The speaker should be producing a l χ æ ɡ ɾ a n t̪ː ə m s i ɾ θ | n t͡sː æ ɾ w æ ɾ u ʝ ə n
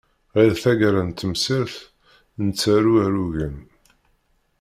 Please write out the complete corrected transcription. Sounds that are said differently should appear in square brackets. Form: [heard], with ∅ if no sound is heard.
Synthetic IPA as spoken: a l [θ] æ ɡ ɾ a n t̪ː ə m s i ɾ θ | n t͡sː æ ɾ [u] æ ɾ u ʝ ə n